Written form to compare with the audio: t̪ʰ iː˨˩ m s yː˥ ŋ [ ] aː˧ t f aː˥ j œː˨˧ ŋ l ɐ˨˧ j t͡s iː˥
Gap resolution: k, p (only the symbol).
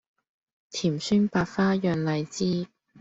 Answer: p